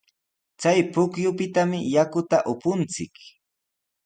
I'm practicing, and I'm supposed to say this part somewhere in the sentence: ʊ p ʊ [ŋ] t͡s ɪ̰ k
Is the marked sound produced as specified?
no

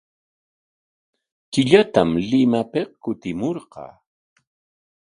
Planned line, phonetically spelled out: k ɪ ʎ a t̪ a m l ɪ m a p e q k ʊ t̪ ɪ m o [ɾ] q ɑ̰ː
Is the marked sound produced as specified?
yes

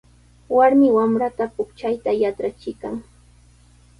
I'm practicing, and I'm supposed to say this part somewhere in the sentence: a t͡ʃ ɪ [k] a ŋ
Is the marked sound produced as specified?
yes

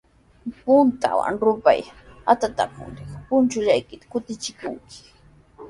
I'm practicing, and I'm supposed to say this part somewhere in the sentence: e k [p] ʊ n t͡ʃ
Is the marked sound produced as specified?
yes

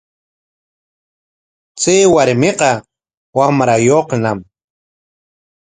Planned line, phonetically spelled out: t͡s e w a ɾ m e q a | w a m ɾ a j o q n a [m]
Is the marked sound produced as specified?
yes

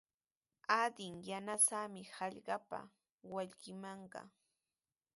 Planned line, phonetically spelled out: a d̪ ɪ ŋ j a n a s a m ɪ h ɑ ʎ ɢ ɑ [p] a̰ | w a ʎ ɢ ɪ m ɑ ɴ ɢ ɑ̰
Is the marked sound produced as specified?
yes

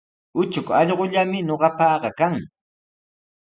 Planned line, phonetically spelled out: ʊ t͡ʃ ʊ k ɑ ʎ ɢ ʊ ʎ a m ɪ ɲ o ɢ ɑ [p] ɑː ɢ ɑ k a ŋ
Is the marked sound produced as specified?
yes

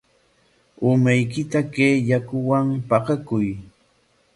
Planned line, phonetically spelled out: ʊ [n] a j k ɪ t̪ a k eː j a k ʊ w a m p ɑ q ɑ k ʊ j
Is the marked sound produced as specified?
no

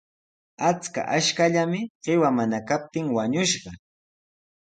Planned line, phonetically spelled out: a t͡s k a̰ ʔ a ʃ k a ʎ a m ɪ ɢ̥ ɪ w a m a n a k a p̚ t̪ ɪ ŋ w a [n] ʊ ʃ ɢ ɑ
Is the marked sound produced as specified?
no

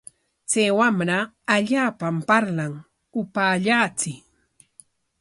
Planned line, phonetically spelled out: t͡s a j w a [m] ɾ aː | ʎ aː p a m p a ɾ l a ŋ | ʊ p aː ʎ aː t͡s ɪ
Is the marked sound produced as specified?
yes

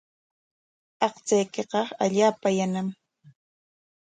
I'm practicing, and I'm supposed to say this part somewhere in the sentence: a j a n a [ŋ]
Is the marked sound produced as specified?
no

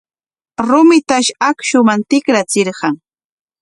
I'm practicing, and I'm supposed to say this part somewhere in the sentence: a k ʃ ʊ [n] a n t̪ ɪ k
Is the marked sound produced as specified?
no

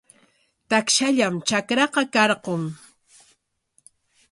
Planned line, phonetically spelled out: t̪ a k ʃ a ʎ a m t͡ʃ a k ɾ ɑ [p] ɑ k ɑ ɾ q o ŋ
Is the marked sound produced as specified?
no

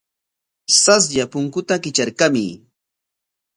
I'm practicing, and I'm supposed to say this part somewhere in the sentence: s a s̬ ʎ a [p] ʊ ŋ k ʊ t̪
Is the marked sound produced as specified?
yes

